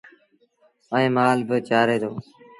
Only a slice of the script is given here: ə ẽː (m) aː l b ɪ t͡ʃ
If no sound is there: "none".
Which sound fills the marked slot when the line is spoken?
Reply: m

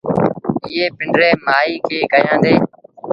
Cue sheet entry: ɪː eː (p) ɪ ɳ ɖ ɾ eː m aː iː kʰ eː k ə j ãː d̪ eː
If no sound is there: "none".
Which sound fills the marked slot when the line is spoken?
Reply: p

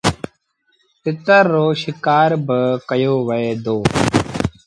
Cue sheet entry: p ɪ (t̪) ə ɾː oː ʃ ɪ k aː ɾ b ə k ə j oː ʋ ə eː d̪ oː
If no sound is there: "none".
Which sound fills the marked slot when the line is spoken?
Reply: t̪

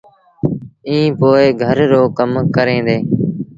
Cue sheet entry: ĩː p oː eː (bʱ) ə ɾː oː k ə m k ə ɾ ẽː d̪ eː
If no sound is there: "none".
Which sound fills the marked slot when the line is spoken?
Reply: ɡʱ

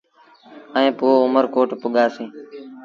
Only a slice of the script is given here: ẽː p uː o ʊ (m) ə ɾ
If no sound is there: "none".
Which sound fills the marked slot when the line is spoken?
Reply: m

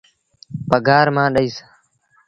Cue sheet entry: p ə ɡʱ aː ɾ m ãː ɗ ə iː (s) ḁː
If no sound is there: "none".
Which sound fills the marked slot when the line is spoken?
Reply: s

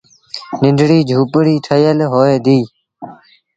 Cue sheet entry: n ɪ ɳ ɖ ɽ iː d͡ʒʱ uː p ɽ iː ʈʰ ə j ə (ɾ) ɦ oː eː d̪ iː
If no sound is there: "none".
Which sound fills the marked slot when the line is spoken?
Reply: l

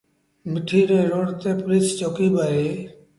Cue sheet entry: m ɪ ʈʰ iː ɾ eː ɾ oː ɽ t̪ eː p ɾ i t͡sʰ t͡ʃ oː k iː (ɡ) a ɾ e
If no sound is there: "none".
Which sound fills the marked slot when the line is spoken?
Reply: b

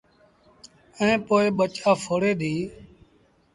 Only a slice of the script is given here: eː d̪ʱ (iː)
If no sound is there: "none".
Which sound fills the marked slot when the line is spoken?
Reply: iː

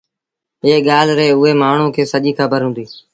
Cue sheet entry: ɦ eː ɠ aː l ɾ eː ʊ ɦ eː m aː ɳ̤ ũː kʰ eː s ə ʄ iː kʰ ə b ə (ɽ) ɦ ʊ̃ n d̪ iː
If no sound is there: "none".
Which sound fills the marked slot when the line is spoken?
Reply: ɾ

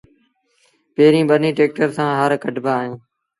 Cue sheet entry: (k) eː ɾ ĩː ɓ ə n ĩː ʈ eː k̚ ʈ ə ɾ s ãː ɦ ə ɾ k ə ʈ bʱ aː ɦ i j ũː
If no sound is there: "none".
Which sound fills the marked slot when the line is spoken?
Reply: p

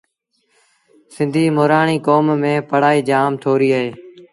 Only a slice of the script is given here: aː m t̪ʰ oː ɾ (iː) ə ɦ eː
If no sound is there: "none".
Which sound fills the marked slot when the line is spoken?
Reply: iː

